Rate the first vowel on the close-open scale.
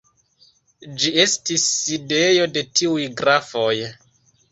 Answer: close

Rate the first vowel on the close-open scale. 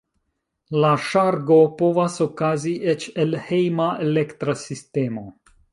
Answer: open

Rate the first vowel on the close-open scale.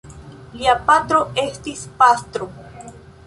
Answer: close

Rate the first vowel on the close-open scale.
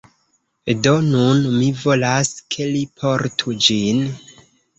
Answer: mid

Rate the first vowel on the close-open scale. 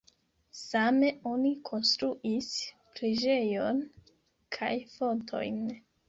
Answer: open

